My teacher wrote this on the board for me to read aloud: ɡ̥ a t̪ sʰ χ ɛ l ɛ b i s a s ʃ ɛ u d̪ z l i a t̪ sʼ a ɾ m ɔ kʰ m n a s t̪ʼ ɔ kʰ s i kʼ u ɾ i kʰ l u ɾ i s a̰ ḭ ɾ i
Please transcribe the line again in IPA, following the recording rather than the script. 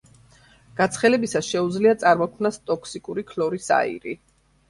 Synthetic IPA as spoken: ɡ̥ a t̪ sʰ χ ɛ l ɛ b i s a s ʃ ɛ u d̪ z l i a t̪ sʼ a ɾ m ɔ kʰ m n a s t̪ʼ ɔ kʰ s i kʼ u ɾ i kʰ l ɔ ɾ i s a̰ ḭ ɾ i